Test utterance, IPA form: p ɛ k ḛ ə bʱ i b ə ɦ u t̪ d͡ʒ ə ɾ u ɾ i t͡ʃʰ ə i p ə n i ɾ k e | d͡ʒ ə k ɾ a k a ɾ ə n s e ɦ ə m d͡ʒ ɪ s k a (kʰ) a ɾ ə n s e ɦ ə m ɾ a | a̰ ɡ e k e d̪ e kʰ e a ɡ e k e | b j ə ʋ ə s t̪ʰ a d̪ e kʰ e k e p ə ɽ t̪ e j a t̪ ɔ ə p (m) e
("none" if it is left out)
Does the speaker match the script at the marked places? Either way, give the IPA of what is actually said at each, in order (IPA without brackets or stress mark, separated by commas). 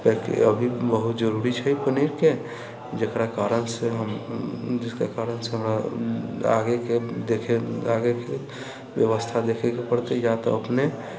k, n